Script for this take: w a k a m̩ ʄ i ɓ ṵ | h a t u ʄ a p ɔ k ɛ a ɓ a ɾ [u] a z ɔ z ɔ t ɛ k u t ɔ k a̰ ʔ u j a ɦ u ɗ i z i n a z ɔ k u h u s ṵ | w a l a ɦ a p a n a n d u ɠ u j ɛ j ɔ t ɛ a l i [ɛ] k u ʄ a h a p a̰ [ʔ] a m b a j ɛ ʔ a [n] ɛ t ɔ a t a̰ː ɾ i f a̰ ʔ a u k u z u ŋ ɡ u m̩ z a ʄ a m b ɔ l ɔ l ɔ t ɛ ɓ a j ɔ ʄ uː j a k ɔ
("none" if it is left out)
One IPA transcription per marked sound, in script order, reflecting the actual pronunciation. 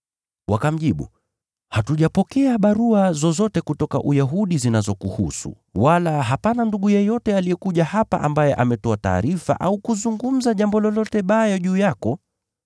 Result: u, ɛ, ʔ, m

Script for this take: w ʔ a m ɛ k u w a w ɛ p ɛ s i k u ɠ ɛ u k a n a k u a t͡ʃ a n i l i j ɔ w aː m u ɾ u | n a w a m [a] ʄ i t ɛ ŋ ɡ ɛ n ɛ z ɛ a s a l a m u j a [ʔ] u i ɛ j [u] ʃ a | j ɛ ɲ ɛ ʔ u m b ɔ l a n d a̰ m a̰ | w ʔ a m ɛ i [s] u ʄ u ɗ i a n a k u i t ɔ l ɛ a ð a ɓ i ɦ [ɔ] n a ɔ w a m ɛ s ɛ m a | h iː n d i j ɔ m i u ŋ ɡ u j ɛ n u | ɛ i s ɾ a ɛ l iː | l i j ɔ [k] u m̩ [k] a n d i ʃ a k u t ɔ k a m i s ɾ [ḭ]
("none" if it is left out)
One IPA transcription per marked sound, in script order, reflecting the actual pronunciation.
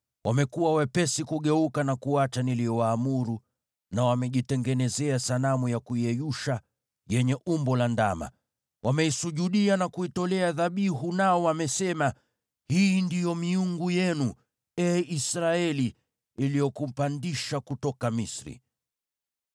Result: ɛ, k, u, s, u, k, p, ḭ

